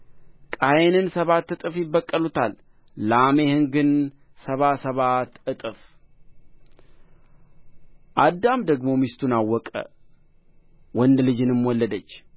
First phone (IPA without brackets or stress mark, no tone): kʼ